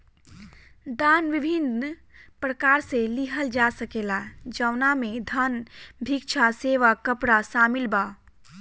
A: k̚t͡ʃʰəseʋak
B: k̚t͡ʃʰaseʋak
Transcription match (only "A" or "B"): B